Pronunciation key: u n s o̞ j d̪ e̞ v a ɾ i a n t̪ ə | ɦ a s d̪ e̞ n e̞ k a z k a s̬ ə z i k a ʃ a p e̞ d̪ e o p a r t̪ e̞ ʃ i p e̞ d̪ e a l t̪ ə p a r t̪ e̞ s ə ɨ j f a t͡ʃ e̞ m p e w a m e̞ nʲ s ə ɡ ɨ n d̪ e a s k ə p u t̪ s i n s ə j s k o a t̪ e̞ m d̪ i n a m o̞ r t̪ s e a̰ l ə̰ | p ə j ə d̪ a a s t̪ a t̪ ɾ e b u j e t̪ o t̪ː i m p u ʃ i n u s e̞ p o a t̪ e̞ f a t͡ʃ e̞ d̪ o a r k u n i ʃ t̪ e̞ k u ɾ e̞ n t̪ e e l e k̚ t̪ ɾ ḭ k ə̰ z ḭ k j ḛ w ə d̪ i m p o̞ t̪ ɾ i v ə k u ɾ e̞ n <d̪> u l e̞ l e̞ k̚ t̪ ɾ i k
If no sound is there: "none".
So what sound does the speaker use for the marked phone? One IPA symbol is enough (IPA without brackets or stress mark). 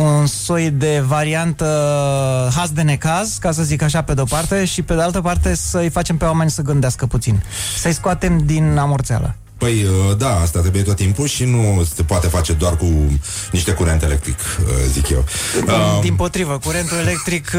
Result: t̪